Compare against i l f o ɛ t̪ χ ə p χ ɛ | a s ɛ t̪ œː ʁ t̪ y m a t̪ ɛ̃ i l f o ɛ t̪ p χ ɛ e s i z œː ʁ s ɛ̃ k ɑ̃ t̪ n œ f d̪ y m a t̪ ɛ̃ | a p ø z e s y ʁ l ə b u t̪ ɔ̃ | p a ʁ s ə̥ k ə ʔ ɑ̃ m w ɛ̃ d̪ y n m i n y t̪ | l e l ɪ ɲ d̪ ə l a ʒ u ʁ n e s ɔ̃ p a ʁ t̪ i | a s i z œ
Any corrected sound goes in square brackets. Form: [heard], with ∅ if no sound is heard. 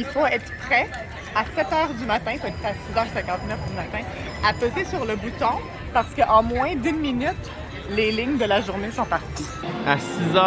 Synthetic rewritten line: i l f o ɛ t̪ χ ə p χ ɛ | a s ɛ t̪ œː ʁ [d̪] y m a t̪ ɛ̃ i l f o ɛ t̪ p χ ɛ [a] s i z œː ʁ s ɛ̃ k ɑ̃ t̪ n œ f d̪ y m a t̪ ɛ̃ | a p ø z e s y ʁ l ə b u t̪ ɔ̃ | p a ʁ s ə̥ k ə ʔ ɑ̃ m w ɛ̃ d̪ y n m i n y t̪ | l e l ɪ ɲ d̪ ə l a ʒ u ʁ n e s ɔ̃ p a ʁ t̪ i | a s i z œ